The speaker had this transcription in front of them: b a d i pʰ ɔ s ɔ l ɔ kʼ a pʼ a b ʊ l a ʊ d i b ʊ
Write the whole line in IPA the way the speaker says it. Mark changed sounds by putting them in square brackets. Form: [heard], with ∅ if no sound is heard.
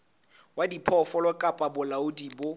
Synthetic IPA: [w] a d i pʰ ɔ [f] ɔ l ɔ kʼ a pʼ a b ʊ l a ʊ d i b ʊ